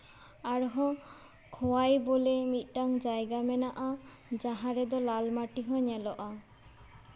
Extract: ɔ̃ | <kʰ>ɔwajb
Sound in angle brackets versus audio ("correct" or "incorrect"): correct